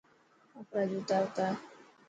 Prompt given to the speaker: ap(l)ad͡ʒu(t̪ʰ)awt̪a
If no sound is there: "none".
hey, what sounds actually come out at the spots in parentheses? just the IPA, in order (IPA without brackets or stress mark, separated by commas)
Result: ɾ, t̪